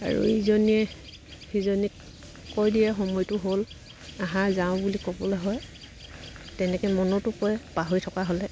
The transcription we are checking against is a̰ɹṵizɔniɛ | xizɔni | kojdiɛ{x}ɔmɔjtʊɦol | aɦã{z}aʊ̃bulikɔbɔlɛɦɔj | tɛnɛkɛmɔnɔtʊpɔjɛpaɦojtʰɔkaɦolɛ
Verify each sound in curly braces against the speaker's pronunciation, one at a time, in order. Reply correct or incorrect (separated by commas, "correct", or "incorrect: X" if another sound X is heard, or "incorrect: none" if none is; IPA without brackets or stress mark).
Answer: correct, correct